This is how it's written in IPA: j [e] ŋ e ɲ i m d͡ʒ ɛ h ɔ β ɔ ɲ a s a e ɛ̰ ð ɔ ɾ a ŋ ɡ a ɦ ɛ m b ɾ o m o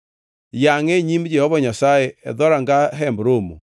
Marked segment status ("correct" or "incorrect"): incorrect